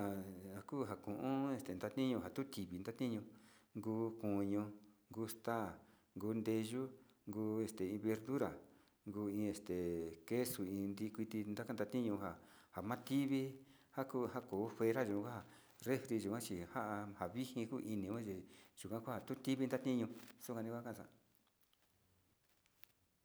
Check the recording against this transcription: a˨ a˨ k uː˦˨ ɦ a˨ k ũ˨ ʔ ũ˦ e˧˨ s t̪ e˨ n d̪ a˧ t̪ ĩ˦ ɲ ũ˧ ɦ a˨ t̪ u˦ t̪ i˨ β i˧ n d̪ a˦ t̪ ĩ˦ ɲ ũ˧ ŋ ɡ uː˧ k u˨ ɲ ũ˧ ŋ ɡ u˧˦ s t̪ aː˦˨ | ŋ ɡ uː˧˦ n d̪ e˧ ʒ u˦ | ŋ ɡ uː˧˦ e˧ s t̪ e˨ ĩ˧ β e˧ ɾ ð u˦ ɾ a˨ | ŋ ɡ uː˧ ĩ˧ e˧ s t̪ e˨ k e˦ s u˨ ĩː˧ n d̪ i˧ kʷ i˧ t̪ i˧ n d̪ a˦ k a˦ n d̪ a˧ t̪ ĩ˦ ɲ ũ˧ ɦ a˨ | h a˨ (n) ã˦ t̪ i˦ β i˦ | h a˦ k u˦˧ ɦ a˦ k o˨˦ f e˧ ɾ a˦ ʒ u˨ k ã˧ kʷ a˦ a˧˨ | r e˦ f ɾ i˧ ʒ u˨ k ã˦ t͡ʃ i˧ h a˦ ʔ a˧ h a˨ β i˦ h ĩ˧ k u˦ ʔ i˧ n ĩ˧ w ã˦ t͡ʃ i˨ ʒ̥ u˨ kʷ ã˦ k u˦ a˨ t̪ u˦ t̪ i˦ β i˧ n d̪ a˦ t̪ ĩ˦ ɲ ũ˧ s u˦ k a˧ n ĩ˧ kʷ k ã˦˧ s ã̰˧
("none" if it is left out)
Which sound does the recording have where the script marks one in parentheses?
m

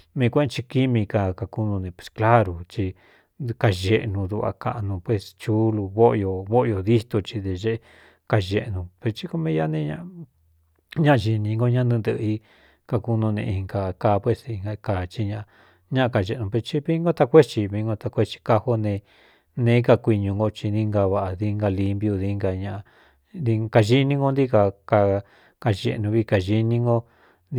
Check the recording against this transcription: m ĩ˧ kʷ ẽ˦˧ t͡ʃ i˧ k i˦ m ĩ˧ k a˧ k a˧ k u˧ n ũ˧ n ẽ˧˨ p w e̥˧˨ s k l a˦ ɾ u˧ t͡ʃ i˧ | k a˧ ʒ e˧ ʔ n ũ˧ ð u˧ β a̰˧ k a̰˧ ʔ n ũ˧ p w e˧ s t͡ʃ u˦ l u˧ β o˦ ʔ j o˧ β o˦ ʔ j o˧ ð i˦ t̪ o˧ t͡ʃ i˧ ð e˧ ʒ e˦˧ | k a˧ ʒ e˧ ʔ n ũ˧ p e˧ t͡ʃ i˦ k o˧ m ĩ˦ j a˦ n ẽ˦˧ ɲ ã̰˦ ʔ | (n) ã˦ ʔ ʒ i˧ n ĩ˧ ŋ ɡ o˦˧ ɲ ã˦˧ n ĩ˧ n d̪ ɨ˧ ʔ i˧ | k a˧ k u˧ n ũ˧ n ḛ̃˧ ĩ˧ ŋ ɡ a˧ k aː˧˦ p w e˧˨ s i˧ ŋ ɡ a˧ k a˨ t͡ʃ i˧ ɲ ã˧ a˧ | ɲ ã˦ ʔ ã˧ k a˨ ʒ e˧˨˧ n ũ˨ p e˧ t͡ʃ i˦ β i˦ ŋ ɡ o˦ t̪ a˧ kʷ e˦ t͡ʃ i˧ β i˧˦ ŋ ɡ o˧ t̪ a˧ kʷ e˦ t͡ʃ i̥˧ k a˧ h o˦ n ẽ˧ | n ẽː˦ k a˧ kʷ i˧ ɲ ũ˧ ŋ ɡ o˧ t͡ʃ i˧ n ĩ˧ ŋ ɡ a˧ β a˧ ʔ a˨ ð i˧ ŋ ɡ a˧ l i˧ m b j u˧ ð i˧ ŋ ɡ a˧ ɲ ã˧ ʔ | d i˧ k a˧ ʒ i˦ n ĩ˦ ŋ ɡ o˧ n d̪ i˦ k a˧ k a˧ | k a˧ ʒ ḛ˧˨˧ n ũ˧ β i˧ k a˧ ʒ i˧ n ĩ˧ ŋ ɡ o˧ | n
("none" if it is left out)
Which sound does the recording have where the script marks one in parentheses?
ɲ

